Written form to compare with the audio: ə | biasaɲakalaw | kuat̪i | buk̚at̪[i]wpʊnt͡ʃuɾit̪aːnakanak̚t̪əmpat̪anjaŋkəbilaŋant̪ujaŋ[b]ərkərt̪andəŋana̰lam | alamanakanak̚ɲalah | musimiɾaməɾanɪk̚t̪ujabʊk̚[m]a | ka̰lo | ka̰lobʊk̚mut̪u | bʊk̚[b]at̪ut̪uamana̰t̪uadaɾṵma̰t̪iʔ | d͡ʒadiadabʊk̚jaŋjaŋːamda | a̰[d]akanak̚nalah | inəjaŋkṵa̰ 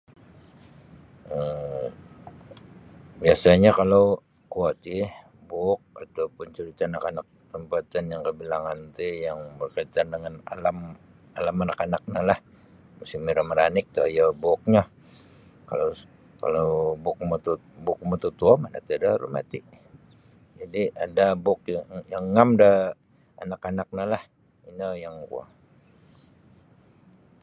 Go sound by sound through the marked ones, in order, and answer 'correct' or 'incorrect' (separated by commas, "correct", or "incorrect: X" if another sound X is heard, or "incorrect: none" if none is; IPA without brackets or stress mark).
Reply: incorrect: a, correct, incorrect: ɲ, incorrect: m, incorrect: n